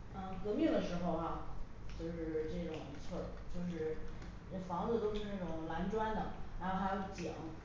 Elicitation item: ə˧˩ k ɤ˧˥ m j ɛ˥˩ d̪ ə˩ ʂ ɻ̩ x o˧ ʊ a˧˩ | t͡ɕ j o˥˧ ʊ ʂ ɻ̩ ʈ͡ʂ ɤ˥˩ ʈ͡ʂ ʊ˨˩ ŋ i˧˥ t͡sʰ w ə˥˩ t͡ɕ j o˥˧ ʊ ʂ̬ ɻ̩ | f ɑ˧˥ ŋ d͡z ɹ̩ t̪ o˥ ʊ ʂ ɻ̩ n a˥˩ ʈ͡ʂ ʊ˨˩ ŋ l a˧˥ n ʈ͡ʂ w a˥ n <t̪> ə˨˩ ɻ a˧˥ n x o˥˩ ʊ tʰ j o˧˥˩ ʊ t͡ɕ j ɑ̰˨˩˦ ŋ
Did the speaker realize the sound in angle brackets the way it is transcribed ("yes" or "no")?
no